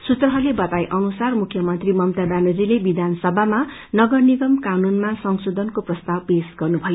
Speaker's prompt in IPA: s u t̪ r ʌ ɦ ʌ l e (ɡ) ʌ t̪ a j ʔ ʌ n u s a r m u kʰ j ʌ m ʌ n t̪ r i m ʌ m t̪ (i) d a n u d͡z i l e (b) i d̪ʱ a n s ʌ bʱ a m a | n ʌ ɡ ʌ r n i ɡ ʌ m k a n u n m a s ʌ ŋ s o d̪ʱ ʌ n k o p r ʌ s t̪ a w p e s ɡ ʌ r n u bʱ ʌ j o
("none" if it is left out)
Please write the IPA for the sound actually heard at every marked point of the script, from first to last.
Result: b, a, b

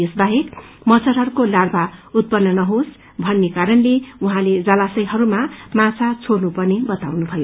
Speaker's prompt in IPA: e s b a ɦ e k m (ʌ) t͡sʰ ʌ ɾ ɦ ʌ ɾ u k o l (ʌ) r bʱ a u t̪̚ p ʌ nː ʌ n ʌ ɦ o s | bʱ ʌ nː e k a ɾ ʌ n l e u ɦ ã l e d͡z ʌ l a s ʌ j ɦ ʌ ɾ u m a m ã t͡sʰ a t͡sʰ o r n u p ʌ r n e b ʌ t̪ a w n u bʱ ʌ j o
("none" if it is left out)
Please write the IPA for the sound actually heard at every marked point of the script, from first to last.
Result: ʌ, a

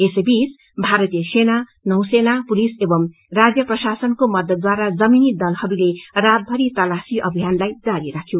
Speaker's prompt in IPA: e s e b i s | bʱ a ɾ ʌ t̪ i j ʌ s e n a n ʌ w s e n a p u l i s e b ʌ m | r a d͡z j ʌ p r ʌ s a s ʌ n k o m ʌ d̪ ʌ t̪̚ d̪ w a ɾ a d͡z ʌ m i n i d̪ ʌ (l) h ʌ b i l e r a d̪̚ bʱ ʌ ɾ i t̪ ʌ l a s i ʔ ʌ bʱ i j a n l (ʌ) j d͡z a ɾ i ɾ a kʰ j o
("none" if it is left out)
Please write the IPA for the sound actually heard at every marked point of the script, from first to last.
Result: l, a

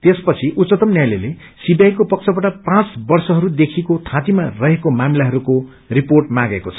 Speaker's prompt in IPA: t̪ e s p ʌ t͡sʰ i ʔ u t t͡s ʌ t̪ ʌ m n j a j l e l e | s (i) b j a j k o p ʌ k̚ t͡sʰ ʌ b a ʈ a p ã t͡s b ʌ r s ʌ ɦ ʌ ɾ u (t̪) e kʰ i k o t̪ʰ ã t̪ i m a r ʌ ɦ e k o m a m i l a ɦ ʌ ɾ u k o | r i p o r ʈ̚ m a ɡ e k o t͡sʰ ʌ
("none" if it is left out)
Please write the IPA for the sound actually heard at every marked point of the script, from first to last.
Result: i, d̪

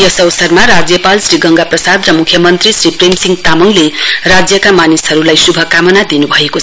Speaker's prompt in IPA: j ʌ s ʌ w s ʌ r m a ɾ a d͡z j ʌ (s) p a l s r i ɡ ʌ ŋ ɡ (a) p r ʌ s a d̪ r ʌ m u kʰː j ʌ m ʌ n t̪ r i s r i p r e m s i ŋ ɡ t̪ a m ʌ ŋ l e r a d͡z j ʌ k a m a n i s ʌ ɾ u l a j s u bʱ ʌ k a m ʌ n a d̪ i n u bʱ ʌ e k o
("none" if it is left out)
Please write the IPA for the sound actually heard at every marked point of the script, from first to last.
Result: none, a

